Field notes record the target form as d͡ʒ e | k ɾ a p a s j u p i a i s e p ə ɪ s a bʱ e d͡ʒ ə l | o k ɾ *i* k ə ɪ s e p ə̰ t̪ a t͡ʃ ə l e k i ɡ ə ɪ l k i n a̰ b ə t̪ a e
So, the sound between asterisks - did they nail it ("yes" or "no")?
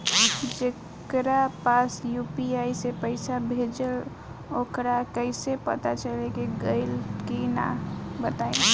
no